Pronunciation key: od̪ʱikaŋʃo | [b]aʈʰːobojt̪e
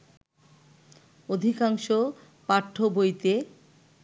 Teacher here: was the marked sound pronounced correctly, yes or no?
no